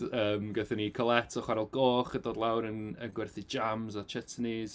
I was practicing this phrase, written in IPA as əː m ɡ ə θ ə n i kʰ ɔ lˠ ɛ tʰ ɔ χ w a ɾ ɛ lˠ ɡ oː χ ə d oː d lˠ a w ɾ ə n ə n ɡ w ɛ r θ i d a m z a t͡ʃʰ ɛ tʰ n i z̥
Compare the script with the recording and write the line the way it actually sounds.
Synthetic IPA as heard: əː m ɡ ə θ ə n i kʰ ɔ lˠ ɛ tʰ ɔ χ w a ɾ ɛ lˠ ɡ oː χ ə d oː d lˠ a w ɾ ə n ə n ɡ w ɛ r θ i d͡ʒ a m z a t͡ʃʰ ɛ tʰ n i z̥